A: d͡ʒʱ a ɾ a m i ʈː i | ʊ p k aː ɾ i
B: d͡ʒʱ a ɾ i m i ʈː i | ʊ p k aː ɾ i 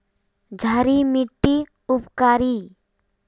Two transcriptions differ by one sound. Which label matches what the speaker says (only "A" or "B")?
B